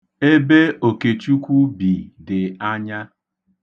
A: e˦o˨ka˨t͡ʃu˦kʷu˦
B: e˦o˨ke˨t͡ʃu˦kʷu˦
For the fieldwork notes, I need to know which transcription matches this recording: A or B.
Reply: B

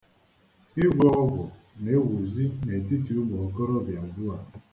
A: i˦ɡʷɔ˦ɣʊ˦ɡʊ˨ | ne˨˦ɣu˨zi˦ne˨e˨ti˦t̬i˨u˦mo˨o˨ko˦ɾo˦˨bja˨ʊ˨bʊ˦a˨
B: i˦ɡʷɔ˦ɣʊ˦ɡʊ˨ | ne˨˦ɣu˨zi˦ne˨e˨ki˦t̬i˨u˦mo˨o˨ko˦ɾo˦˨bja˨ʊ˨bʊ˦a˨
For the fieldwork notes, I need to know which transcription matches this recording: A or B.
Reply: A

